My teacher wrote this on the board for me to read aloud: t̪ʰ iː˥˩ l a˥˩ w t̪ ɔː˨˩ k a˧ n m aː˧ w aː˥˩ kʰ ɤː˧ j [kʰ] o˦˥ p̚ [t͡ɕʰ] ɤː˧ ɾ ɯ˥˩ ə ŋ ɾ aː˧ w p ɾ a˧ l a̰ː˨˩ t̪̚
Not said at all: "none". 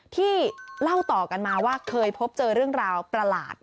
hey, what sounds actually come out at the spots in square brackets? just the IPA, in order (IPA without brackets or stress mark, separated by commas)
pʰ, t͡ɕ